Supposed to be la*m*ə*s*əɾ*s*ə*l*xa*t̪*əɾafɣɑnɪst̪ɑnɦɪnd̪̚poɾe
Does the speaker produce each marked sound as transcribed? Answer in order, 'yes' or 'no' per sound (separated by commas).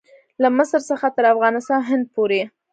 yes, yes, yes, no, yes